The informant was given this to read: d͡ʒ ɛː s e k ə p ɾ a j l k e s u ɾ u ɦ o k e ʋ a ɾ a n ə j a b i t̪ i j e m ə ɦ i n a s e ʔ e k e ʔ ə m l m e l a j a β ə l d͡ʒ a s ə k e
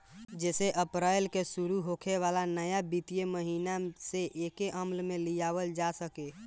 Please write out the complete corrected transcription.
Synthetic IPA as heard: d͡ʒ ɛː s e ʔ ə p ɾ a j l k e s u ɾ u ɦ o kʰ e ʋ a l a n ə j a b i t̪ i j e m ə ɦ i n a s e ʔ e k e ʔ ə m l m e l i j a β ə l d͡ʒ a s ə k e

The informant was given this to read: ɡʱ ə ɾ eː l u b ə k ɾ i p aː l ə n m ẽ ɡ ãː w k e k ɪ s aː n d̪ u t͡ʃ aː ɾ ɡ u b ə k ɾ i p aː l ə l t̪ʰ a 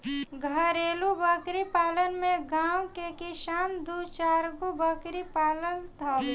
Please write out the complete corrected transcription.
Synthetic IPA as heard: ɡʱ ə ɾ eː l u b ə k ɾ i p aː l ə n m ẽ ɡ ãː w k e k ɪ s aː n d̪ u t͡ʃ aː ɾ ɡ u b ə k ɾ i p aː l ə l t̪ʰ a

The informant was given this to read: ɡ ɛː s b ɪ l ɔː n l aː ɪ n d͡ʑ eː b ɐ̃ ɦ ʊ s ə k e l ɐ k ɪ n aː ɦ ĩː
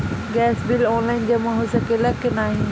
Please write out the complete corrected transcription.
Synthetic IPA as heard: ɡ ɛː s b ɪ l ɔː n l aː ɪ n d͡ʑ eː m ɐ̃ ɦ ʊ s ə k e l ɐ k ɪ n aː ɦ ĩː

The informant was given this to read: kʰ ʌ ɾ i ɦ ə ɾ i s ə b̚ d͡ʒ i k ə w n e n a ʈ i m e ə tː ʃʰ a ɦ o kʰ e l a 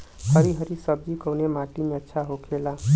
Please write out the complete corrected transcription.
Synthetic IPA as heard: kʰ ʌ ɾ i ɦ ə ɾ i s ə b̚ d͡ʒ i k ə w n e m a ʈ i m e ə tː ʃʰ a ɦ o kʰ e l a

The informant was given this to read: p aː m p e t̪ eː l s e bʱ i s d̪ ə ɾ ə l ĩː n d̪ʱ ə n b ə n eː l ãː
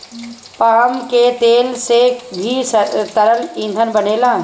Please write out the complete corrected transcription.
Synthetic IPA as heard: p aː m k e t̪ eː l s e bʱ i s t̪ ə ɾ ə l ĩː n d̪ʱ ə n b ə n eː l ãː

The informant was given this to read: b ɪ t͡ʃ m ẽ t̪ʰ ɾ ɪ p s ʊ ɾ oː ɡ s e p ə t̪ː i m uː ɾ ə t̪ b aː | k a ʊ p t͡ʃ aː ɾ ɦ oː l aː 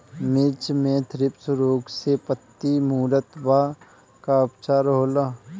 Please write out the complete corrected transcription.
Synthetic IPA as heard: m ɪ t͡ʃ m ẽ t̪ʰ ɾ ɪ p s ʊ ɾ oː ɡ s e p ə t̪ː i m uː ɾ ə t̪ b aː | k a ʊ p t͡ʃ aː ɾ ɦ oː l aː

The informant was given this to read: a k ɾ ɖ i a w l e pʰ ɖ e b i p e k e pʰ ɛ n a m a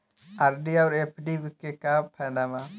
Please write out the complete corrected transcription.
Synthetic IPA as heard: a ɾ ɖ i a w ɾ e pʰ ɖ i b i k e k a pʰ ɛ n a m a

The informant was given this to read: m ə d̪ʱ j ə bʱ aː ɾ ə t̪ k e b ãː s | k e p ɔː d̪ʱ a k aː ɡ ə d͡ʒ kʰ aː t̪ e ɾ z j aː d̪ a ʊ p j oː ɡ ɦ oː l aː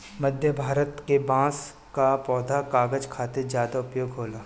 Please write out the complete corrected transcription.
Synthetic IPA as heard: m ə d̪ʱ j ə bʱ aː ɾ ə t̪ k e b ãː s | k a p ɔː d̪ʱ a k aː ɡ ə d͡ʒ kʰ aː t̪ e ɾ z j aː d̪ a ʊ p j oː ɡ ɦ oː l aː

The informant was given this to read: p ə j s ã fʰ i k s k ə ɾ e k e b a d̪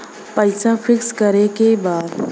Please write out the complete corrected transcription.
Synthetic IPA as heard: p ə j s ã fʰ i k s k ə ɾ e k e b a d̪

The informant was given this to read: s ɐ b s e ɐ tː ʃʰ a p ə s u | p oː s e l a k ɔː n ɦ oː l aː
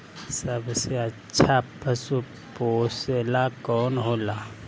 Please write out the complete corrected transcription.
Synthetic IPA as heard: s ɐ b s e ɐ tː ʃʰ a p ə s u | p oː s e l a k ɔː n ɦ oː l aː

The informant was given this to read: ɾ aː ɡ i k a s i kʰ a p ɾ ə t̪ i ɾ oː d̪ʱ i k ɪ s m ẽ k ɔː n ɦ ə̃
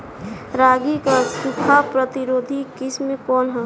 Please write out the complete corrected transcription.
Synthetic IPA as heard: ɾ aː ɡ i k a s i kʰ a p ɾ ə t̪ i ɾ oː d̪ʱ i k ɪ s m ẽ k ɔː n ɦ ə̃

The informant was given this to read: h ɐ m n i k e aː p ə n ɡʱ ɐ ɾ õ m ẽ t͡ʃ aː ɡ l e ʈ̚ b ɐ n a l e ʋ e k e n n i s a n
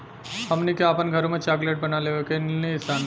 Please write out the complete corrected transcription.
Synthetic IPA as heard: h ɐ m n i k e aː p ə n ɡʱ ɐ ɾ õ m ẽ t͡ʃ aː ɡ l e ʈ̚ b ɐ n a l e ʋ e k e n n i s a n

